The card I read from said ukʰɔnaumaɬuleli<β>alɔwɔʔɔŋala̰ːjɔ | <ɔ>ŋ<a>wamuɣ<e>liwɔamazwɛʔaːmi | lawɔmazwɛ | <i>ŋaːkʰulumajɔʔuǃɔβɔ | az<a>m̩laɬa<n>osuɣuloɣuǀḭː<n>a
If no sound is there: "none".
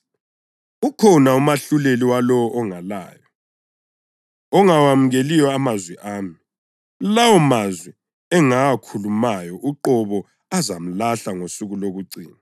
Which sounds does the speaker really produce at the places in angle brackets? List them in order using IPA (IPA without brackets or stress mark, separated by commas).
w, ɔ, a, e, ɛ, a, ŋ, n